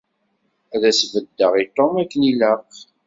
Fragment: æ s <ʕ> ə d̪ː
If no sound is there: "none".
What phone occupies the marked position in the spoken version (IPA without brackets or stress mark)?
v